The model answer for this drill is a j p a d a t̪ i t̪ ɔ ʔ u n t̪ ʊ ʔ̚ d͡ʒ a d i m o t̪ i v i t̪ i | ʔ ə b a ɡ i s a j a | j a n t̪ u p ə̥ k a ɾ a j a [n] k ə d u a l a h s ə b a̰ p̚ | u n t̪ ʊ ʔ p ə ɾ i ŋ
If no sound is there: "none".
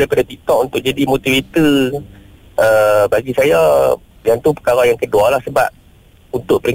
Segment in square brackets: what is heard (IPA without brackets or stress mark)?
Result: ŋ